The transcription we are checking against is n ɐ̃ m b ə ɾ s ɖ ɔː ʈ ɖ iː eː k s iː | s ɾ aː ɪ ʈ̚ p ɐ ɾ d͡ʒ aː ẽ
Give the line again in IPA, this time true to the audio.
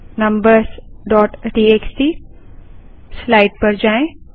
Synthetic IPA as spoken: n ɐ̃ m b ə ɾ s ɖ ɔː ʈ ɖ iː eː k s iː | s l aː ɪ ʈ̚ p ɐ ɾ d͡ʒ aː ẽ

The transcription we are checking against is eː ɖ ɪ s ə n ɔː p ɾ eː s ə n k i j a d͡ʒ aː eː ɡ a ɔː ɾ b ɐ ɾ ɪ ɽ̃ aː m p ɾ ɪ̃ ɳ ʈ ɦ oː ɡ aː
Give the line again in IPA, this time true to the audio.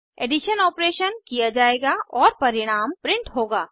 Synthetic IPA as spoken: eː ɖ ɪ ʃ ə n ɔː p ɾ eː ʃ ə n k i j a d͡ʒ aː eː ɡ a ɔː ɾ p ɐ ɾ ɪ ɽ̃ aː m p ɾ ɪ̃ ɳ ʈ ɦ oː ɡ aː

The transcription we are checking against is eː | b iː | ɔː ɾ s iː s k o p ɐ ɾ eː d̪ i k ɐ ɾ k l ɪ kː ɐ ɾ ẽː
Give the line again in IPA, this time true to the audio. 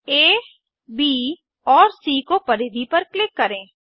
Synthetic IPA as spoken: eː | b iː | ɔː ɾ s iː k o p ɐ ɾ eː d̪ i p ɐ ɾ k l ɪ kː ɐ ɾ ẽː

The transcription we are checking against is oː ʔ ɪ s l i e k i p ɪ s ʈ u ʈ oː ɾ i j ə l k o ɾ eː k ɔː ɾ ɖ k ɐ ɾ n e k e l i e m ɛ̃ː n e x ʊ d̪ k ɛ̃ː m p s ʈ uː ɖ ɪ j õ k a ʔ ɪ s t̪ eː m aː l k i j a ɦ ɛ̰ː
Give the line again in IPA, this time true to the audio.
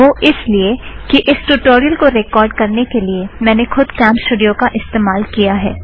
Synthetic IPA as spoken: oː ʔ ɪ s l i e k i ʔ ɪ s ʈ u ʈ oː ɾ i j ə l k o ɾ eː k ɔː ɾ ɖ k ɐ ɾ n e k e l i e m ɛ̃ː n e x ʊ d̪ k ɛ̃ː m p s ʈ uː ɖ i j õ k a ʔ ɪ s t̪ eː m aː l k i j a ɦ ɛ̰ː

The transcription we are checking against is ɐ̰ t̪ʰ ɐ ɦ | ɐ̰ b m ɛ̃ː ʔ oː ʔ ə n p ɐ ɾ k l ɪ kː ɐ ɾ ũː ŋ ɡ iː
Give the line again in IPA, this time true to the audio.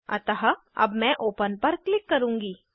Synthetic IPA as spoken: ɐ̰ t̪ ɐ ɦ | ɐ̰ b m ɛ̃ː ʔ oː p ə n p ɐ ɾ k l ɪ kː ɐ ɾ ũː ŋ ɡ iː

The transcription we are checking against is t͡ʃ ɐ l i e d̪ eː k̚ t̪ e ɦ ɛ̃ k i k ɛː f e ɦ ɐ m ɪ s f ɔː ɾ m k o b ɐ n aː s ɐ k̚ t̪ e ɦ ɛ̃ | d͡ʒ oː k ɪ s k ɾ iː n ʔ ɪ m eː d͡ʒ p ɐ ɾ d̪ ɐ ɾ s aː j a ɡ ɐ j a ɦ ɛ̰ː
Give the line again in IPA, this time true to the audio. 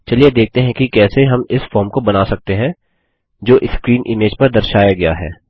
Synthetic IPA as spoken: t͡ʃ ɐ l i e d̪ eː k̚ t̪ e ɦ ɛ̃ k i k ɛː s e ɦ ɐ m ɪ s f ɔː ɾ m k o b ɐ n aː s ɐ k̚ t̪ e ɦ ɛ̃ | d͡ʒ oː ʔ ɪ s k ɾ iː n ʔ ɪ m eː d͡ʒ p ɐ ɾ d̪ ɐ ɾ ʃ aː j a ɡ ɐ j a ɦ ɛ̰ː

